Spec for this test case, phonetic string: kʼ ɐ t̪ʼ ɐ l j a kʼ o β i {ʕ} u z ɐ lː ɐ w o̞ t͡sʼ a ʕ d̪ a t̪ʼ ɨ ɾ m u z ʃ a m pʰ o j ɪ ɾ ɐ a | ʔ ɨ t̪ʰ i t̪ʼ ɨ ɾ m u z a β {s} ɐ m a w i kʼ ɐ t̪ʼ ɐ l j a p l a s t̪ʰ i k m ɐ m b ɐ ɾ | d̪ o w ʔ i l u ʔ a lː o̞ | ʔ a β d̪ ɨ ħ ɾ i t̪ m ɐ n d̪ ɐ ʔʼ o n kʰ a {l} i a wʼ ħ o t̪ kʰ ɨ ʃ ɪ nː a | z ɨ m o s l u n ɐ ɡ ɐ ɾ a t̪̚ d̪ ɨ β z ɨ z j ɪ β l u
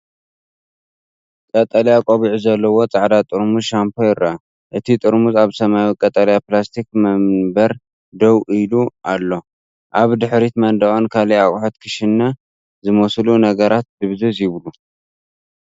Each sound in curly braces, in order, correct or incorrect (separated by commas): correct, correct, correct